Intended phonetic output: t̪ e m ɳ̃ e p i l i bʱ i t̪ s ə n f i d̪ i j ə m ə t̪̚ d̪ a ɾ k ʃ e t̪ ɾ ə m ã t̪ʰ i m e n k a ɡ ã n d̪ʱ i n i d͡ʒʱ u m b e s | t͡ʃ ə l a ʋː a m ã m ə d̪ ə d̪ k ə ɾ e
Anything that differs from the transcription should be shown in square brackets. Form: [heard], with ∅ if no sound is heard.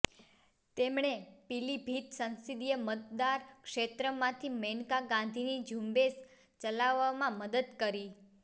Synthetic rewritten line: t̪ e m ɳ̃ e p i l i bʱ i t̪ s ə n [s] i d̪ i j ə m ə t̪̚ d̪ a ɾ k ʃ e t̪ ɾ ə m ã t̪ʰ i m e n k a ɡ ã n d̪ʱ i n i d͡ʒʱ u m b e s | t͡ʃ ə l a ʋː a m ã m ə d̪ ə d̪ k ə ɾ [i]